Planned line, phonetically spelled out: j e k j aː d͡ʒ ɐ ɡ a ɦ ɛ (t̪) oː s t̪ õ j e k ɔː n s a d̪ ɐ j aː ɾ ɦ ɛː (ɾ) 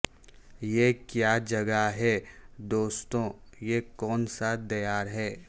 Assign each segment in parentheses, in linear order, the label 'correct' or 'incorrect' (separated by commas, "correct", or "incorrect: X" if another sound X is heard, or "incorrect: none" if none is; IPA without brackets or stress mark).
incorrect: d̪, incorrect: none